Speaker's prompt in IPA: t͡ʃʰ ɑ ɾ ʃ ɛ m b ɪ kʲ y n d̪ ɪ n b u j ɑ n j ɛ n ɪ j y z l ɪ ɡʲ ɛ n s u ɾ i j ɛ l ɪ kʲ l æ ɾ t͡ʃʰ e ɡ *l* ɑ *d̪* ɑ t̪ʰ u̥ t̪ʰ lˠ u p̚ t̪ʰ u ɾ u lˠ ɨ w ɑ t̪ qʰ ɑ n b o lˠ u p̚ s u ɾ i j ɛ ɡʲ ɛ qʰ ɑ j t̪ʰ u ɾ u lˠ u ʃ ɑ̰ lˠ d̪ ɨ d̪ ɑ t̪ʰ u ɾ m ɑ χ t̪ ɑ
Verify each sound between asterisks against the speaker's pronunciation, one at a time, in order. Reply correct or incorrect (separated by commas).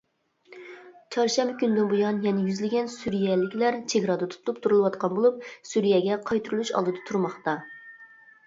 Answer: incorrect, correct